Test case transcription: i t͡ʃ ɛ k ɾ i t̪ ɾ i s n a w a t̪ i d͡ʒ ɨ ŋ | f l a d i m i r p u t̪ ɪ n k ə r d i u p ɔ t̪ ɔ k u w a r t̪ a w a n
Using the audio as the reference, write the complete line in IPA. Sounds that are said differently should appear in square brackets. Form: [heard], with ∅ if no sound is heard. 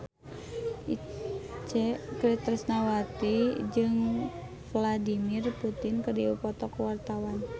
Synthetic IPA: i t͡ʃ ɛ k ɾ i t̪ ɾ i s n a w a t̪ i d͡ʒ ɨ ŋ | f l a d i m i r p u t̪ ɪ n k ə r d i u p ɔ t̪ ɔ k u w a r t̪ a w a n